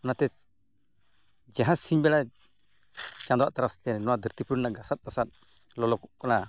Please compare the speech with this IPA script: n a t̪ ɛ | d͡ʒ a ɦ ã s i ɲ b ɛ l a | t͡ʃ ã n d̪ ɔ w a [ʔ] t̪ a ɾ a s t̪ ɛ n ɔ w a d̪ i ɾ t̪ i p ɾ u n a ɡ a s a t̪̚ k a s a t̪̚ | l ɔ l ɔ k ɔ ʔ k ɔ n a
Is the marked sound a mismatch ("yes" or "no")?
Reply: no